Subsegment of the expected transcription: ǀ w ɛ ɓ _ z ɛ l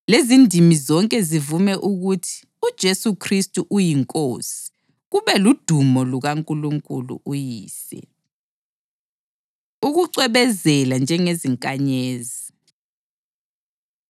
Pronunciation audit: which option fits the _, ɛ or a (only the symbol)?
ɛ